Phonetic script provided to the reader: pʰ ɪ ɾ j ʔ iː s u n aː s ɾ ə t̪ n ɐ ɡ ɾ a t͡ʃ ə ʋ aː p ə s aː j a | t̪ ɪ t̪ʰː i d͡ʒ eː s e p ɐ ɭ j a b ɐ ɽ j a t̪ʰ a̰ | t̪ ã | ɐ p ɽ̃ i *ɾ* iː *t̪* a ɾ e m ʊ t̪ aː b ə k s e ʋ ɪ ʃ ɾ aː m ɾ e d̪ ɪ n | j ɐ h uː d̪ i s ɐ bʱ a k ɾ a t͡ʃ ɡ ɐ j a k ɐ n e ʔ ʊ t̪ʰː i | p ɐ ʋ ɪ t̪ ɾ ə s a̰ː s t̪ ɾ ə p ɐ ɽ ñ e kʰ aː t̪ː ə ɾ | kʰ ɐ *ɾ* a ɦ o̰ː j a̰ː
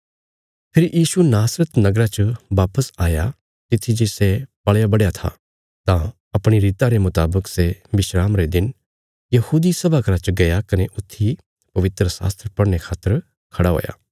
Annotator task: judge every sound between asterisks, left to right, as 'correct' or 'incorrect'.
correct, correct, incorrect

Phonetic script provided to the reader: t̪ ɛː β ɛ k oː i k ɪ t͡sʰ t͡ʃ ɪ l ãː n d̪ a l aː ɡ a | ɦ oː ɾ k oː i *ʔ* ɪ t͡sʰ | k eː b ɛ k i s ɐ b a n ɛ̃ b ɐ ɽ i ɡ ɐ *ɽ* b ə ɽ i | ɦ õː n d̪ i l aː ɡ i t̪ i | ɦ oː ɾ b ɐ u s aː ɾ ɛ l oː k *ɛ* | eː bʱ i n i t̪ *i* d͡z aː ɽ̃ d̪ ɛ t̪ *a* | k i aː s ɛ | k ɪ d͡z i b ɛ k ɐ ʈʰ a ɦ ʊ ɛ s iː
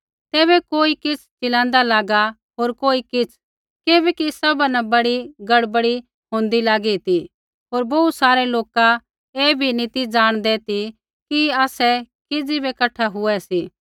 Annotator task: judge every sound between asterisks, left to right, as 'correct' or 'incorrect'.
incorrect, correct, incorrect, correct, incorrect

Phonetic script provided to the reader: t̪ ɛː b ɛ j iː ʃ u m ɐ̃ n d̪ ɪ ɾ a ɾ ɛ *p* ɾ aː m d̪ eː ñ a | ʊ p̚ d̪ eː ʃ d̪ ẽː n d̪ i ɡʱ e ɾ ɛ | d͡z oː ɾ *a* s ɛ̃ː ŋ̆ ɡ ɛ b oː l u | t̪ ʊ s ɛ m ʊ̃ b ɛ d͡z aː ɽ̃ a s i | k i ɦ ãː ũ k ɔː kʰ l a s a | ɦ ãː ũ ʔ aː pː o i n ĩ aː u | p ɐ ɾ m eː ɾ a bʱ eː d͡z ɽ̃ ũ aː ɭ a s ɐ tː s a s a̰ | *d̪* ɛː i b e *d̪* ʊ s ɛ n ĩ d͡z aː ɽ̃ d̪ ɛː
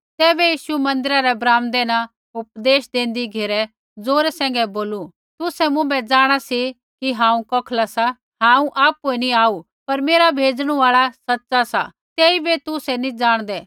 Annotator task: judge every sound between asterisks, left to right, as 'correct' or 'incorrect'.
incorrect, incorrect, incorrect, incorrect

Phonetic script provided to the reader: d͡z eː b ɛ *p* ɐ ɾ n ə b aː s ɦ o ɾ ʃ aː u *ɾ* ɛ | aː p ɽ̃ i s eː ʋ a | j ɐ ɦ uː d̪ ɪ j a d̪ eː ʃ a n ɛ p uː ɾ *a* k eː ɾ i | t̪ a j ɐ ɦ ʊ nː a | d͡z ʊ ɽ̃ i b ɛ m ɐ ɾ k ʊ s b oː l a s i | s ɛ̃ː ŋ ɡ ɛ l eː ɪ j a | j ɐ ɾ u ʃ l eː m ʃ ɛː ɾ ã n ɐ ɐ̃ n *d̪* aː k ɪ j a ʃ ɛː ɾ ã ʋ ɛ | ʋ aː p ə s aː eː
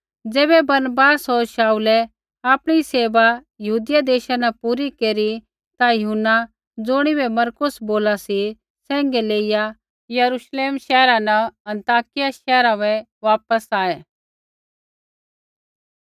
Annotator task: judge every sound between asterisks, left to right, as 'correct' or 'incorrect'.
incorrect, incorrect, incorrect, incorrect

